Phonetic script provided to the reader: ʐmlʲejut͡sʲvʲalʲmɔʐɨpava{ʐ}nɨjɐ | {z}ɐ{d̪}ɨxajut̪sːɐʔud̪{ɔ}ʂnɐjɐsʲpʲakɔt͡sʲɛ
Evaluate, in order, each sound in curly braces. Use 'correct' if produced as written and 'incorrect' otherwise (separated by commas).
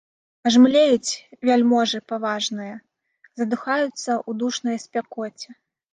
correct, correct, correct, incorrect